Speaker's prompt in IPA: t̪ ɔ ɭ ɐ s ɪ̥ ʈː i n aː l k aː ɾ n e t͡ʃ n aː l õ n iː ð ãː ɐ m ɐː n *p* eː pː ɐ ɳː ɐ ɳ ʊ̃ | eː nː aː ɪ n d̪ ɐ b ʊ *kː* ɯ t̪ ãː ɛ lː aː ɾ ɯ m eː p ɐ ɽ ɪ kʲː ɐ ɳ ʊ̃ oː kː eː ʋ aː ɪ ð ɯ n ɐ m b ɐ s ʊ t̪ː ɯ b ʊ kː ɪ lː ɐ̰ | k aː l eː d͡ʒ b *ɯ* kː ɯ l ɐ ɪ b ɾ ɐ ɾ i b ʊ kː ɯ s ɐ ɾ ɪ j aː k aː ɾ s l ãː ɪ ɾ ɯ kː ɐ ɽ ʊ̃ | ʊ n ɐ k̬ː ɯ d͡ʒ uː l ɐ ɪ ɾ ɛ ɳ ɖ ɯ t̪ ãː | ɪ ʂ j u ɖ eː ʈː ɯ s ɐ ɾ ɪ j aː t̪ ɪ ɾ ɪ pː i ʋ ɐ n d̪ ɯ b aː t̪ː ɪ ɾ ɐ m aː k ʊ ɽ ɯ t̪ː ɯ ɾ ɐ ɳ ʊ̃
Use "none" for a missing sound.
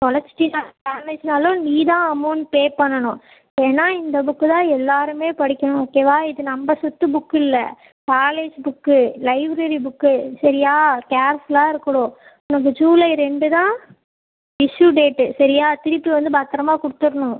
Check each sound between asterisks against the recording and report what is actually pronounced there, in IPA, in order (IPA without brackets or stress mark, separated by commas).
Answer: p, kː, ʊ